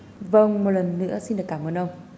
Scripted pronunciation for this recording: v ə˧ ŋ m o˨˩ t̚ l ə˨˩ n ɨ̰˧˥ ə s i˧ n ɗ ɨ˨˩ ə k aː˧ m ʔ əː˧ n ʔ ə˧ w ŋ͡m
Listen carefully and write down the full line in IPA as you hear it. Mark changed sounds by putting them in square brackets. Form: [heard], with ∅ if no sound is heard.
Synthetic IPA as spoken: v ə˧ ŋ m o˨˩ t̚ l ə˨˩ [nː] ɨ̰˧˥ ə s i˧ n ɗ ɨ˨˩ ə k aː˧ m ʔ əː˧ n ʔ ə˧ w ŋ͡m

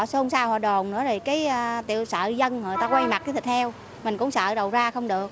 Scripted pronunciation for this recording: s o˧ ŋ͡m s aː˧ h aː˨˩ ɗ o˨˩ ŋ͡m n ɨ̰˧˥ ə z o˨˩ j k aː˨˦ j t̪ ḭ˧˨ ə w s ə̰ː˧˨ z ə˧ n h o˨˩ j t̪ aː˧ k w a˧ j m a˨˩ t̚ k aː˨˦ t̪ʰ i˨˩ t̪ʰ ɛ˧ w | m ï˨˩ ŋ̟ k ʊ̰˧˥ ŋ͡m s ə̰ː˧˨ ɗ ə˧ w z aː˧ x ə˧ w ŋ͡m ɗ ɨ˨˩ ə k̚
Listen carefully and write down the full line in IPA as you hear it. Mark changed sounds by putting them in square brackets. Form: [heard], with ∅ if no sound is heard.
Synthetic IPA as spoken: s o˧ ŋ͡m s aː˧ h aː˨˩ ɗ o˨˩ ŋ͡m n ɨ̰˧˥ ə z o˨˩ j k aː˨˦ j t̪ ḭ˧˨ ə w s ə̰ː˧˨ z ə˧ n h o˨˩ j t̪ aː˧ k w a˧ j m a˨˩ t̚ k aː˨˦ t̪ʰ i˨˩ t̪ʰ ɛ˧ w | m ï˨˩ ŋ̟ k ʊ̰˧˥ ŋ͡m s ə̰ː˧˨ ɗ [ə˨˩] w z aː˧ x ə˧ w ŋ͡m ɗ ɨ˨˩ ə k̚

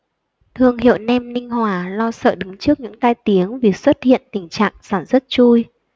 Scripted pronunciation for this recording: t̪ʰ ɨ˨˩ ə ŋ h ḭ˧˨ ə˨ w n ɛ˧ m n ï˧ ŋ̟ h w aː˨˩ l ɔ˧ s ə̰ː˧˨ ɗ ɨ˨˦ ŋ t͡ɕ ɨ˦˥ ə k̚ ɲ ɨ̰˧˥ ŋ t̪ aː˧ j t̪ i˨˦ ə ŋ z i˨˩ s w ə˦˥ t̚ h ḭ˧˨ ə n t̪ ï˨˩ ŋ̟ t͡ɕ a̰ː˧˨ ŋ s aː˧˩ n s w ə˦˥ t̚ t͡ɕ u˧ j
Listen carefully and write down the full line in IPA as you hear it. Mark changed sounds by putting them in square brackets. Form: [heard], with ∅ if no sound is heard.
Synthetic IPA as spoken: t̪ʰ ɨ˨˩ ə ŋ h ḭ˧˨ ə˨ w n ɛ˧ m n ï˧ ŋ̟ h w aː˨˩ l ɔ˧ s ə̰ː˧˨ ɗ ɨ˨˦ ŋ t͡ɕ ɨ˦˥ ə k̚ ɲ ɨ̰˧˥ ŋ t̪ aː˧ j t̪ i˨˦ ə ŋ [v] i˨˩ s w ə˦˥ t̚ h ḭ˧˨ ə n t̪ ï˨˩ ŋ̟ t͡ɕ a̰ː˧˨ ŋ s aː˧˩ n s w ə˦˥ t̚ t͡ɕ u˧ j

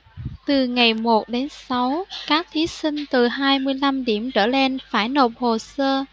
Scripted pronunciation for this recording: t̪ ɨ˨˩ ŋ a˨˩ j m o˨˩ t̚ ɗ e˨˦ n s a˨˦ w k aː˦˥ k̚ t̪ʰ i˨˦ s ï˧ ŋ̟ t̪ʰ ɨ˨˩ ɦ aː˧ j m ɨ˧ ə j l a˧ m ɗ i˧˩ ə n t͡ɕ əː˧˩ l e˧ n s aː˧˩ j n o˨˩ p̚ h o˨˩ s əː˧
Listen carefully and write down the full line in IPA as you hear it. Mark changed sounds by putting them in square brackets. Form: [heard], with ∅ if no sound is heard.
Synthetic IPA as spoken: t̪ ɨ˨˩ ŋ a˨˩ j m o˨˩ t̚ ɗ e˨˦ n s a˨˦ w k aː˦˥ k̚ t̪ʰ i˨˦ s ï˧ ŋ̟ [t̪] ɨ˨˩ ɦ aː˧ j m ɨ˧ ə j l a˧ m ɗ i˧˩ ə [m] t͡ɕ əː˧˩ l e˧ n [f] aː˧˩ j n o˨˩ p̚ h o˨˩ s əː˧

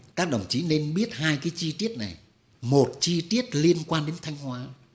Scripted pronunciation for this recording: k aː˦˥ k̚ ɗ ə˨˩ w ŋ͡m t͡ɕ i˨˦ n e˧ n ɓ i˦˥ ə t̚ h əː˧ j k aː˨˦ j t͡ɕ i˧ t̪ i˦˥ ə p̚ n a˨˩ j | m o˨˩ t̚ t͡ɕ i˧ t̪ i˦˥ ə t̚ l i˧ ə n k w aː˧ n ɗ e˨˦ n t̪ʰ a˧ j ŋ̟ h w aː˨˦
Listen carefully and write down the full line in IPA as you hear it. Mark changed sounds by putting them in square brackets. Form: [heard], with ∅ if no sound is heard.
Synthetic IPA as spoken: k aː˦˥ k̚ ɗ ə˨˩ w ŋ͡m t͡ɕ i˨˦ n e˧ n ɓ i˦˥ ə t̚ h [aː˧] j k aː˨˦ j t͡ɕ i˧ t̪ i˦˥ ə [t̚] n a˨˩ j | m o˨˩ t̚ t͡ɕ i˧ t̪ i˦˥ ə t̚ l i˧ ə n k w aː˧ n ɗ e˨˦ n t̪ʰ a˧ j ŋ̟ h w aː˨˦

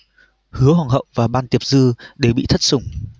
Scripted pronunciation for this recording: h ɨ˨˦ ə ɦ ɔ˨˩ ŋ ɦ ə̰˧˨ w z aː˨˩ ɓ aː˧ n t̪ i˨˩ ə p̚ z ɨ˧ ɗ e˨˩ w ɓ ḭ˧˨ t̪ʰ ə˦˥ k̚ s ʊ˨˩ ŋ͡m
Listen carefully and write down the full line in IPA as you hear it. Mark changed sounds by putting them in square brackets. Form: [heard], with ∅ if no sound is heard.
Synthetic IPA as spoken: h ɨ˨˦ ə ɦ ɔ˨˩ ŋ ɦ ə̰˧˨ w [v] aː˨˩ ɓ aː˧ n t̪ i˨˩ ə p̚ z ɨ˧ ɗ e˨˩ w ɓ ḭ˧˨ t̪ʰ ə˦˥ [t̚] s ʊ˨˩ ŋ͡m

